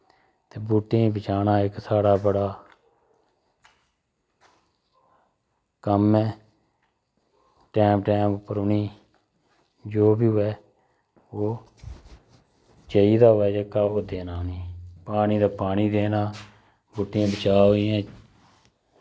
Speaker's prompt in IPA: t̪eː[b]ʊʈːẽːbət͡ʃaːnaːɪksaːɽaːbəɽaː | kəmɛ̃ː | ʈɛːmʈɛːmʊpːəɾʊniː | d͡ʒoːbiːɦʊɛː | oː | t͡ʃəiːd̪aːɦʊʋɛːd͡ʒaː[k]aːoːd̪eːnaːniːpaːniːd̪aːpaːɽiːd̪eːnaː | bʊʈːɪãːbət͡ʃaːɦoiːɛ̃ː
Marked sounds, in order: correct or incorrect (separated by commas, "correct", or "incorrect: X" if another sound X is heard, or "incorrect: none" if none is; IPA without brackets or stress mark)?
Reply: correct, correct